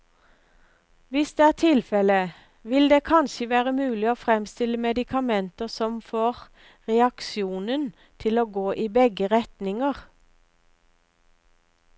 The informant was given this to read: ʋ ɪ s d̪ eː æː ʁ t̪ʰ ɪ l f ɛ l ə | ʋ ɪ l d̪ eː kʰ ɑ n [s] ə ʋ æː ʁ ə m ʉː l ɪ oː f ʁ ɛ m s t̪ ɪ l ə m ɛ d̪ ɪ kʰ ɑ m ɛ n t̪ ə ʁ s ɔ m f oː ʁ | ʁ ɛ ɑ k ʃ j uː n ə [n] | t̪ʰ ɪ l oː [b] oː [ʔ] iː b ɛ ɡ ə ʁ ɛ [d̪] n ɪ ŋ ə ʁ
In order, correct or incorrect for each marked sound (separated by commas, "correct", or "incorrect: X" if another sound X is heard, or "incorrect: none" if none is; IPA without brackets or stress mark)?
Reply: incorrect: ʃ, correct, incorrect: ɡ, correct, incorrect: t̪